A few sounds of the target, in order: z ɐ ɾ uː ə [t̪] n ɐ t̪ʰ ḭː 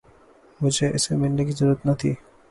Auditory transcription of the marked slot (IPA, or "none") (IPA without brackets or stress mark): t̪